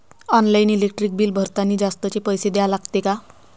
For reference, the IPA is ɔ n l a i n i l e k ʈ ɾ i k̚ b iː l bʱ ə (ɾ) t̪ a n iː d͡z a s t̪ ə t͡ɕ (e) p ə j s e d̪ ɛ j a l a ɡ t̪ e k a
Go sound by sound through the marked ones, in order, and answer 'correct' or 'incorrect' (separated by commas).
correct, correct